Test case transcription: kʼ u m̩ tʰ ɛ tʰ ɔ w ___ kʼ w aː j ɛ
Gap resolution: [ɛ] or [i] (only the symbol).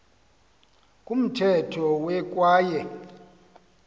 ɛ